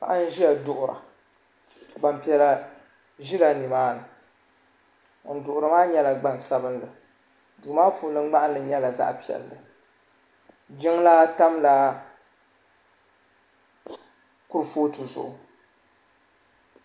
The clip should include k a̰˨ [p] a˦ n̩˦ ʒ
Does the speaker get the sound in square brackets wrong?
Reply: yes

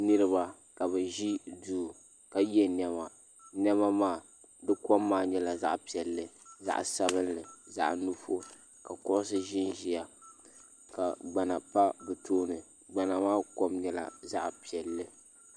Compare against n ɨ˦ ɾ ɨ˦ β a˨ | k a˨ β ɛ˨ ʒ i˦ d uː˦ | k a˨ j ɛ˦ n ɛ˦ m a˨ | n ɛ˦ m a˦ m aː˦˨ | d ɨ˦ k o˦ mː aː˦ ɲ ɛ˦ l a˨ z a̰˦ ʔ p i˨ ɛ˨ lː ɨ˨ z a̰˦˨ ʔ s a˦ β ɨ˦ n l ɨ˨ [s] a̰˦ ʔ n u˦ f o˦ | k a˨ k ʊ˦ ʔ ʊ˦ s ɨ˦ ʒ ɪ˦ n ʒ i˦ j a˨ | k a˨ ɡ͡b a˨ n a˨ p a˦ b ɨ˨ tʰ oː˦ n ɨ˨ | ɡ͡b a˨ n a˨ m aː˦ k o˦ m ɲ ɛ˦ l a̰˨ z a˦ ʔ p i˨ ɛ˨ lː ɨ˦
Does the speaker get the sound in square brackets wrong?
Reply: yes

